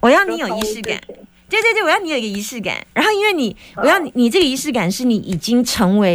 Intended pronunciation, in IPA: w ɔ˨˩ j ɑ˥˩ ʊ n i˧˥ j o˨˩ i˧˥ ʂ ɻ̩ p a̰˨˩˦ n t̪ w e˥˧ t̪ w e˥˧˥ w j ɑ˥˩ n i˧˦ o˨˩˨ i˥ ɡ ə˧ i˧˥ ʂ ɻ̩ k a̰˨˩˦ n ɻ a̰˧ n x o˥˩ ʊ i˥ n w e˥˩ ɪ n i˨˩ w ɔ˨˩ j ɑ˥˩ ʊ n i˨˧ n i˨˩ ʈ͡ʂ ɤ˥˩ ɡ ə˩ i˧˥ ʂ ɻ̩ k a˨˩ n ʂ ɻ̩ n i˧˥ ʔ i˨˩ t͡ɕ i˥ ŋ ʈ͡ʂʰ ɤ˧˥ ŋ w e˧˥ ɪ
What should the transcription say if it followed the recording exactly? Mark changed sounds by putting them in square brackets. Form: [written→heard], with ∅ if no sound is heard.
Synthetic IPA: w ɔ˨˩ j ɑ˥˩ ʊ n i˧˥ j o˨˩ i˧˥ ʂ ɻ̩ [p→k] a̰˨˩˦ n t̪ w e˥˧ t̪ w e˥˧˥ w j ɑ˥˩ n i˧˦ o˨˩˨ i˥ ɡ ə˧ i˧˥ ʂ ɻ̩ k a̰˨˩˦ n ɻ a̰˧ n x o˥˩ ʊ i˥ n w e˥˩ ɪ n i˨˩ w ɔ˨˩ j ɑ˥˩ ʊ n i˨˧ n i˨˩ ʈ͡ʂ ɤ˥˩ ɡ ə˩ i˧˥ ʂ ɻ̩ k a˨˩ n ʂ ɻ̩ n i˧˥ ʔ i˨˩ t͡ɕ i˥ ŋ ʈ͡ʂʰ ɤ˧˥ ŋ w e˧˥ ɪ